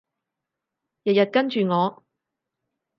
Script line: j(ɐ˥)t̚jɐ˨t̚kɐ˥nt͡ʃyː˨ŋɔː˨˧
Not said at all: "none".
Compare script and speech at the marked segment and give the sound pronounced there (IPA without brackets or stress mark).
ɐ˨